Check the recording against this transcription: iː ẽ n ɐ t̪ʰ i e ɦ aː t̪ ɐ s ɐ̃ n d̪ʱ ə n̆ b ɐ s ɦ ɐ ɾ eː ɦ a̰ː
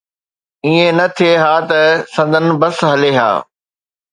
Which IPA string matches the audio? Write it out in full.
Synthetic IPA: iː ẽ n ɐ t̪ʰ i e ɦ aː t̪ ɐ s ɐ̃ n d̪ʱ ə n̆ b ɐ s ɦ ɐ l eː ɦ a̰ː